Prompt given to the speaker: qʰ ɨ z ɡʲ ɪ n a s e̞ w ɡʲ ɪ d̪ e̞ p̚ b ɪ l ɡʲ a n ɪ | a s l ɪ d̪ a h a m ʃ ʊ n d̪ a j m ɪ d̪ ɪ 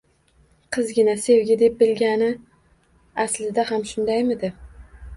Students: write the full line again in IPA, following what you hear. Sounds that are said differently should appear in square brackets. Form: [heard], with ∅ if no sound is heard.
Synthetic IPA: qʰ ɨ z ɡʲ ɪ n a s e̞ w ɡʲ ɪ d̪ e̞ p̚ b ɪ l ɡʲ a n ɪ | a s l ɪ d̪ a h a m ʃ ʊ n d̪ a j m ɪ d̪ ɪ